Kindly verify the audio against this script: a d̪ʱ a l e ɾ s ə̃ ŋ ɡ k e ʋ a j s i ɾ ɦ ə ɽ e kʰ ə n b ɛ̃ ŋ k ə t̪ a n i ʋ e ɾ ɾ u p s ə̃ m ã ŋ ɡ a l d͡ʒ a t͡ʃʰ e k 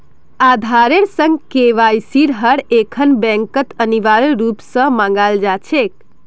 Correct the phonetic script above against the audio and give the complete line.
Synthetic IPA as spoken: a d̪ʱ a ɾ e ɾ s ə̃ ŋ ɡ k e ʋ a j s i ɾ ɦ ə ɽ e kʰ ə n b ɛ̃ ŋ k ə t̪ ə n i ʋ a ɾ ɾ u p s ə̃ m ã ŋ ɡ a l d͡ʒ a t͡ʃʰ e k